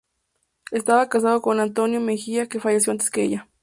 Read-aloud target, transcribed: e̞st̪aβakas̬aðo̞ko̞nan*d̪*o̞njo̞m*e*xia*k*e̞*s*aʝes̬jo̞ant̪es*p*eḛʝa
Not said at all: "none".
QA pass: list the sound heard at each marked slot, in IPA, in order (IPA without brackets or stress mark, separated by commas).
t̪, e, k, f, k